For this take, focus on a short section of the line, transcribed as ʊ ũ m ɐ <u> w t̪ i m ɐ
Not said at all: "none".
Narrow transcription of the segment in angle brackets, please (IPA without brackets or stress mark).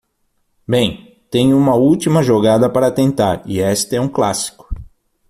u